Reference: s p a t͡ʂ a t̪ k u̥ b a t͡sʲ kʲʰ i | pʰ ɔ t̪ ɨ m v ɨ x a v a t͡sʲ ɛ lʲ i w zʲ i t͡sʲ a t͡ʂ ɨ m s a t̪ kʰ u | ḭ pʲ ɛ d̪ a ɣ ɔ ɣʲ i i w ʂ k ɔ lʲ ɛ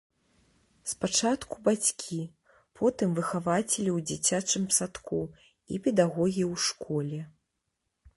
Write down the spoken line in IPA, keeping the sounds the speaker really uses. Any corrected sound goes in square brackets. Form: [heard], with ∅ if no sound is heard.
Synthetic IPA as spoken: s p a t͡ʂ a t̪ k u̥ b a t͡sʲ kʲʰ i | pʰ ɔ t̪ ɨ m v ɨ x a v a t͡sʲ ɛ lʲ i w [d͡zʲ] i t͡sʲ a t͡ʂ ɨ m s a t̪ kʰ u | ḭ pʲ ɛ d̪ a ɣ ɔ ɣʲ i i w ʂ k ɔ lʲ ɛ